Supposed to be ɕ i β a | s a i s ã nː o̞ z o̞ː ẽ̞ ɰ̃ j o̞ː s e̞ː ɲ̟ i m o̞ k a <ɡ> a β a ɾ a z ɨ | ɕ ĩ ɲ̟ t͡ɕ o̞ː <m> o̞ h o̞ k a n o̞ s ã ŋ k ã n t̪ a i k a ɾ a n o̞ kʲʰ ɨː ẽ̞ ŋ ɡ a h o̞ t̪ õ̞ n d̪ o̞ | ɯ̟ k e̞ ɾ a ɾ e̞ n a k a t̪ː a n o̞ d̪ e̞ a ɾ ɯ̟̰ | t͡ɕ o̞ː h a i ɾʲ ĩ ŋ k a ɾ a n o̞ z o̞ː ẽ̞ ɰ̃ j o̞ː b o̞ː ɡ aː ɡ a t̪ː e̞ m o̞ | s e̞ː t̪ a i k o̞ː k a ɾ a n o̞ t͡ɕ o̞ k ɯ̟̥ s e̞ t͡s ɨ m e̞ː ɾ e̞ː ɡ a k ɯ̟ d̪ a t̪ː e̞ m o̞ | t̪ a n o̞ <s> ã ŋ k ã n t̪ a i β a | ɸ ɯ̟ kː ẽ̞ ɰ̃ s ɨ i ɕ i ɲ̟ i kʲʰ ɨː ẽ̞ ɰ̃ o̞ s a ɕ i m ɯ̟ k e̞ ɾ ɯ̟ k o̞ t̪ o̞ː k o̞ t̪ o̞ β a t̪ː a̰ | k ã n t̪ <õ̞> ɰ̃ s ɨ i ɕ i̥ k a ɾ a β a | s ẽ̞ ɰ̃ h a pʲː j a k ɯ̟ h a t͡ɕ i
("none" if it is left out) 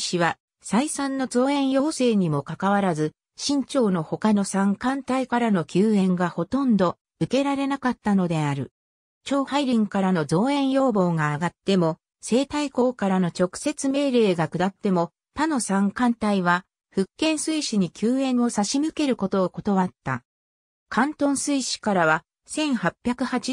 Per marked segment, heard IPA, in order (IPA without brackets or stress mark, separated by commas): k, n, s, õ̞